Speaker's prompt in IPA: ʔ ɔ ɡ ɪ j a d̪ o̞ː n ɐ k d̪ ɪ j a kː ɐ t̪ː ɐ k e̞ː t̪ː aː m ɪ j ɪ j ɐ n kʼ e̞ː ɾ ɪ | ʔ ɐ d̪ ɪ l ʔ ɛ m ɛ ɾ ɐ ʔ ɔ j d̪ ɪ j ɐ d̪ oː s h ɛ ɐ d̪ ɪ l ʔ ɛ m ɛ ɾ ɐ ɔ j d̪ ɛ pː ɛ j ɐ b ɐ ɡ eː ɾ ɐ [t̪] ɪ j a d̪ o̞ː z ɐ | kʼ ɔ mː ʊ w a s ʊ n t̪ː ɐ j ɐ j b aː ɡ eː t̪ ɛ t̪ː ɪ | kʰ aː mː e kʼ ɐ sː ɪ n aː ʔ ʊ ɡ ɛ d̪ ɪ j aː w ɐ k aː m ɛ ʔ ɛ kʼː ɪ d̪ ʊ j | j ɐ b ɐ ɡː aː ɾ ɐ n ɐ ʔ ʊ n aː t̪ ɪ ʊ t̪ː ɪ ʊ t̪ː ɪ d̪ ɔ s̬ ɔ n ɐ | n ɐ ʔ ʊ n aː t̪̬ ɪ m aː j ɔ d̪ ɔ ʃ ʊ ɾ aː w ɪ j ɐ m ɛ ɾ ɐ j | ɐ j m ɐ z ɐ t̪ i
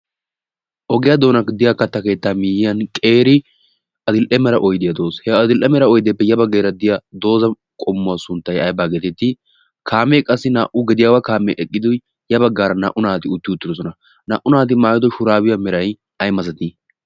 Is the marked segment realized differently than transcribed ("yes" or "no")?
yes